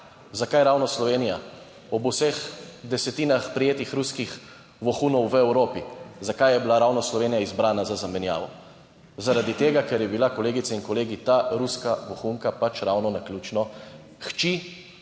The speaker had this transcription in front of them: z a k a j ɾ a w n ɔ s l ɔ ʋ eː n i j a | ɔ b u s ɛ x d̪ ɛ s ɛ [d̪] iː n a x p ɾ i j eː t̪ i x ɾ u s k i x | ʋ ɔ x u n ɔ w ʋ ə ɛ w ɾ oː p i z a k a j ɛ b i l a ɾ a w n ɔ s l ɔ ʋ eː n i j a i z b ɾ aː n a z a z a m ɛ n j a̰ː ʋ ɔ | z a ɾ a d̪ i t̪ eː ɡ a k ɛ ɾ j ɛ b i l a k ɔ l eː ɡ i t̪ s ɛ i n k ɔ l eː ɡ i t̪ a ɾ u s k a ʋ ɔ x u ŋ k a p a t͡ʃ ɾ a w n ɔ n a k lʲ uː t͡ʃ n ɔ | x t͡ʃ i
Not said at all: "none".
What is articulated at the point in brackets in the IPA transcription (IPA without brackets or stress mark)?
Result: t̪